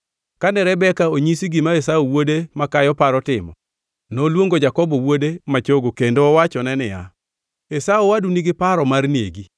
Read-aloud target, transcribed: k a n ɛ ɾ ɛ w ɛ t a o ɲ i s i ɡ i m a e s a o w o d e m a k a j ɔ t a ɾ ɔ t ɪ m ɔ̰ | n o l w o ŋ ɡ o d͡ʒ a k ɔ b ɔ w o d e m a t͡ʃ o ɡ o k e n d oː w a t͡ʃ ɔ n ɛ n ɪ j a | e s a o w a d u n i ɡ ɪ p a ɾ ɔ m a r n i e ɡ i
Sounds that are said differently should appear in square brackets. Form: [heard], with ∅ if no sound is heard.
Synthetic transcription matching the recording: k a n ɛ ɾ ɛ [b] ɛ [k] a o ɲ i s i ɡ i m a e s a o w o d e m a k a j ɔ [p] a ɾ ɔ t ɪ m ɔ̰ | n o l w o ŋ ɡ o d͡ʒ a k ɔ b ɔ w o d e m a t͡ʃ o ɡ o k e n d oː w a t͡ʃ ɔ n ɛ n ɪ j a | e s a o w a d u n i ɡ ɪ p a ɾ ɔ m a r n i e ɡ i